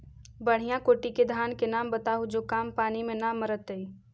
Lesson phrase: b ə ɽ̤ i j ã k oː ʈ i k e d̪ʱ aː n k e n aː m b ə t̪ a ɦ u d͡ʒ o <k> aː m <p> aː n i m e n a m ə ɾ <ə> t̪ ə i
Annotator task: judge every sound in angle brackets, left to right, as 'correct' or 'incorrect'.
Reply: correct, correct, correct

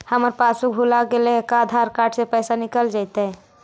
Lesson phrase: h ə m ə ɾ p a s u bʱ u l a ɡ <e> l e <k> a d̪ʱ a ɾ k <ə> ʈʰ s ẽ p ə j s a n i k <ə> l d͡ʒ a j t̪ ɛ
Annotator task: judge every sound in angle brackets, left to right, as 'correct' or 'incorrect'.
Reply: correct, correct, incorrect: a, correct

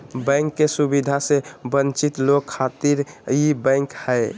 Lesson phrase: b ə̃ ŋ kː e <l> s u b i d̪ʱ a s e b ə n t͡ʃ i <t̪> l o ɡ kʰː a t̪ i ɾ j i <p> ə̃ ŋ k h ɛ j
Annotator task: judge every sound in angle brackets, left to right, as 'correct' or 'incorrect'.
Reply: incorrect: none, correct, incorrect: b

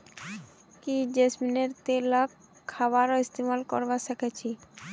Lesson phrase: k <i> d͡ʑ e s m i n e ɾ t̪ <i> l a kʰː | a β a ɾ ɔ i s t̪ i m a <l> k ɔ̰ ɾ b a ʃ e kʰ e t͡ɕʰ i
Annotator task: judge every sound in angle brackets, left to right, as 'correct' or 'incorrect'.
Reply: correct, incorrect: e, correct

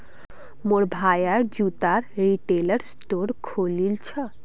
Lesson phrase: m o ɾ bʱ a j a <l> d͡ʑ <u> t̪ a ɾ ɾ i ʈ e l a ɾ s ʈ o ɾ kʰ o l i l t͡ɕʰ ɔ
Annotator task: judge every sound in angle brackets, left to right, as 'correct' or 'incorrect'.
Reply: incorrect: ɾ, correct

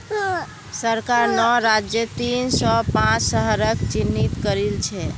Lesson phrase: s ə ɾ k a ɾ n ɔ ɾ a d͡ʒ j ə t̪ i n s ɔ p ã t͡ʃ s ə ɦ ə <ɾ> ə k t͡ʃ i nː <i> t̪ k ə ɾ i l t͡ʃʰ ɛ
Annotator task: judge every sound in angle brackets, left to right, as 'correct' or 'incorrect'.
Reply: correct, correct

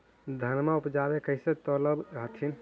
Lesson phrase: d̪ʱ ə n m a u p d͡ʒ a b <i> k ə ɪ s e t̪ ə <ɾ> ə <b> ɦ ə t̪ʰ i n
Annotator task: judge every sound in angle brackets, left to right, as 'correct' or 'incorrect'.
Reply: incorrect: e, incorrect: l, correct

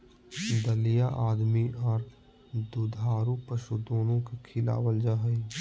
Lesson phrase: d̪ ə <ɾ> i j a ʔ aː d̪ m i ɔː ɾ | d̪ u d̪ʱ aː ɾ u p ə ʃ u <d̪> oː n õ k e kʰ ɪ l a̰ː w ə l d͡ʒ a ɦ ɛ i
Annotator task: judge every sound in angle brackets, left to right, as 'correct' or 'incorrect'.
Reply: incorrect: l, correct

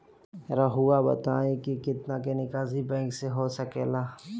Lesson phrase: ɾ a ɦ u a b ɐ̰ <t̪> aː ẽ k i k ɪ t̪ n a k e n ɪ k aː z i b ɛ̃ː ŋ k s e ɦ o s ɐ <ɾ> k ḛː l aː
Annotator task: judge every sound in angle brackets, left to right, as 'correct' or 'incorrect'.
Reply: correct, incorrect: none

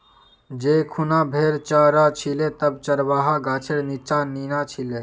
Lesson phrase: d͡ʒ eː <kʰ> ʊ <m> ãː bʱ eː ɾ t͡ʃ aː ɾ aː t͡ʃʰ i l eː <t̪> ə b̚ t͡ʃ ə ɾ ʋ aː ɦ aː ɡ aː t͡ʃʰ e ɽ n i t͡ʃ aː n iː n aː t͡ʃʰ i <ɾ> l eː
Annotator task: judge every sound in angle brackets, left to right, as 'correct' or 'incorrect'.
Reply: correct, incorrect: n, correct, incorrect: none

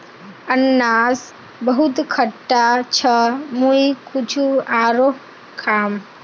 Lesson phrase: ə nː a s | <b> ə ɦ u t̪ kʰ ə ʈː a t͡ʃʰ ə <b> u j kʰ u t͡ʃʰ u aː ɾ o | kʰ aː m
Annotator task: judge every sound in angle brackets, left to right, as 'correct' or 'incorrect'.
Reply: correct, incorrect: m

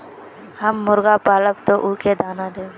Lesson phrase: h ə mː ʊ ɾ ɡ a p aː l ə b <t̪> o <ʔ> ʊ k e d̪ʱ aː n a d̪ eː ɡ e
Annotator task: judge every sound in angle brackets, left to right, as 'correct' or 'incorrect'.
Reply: correct, correct

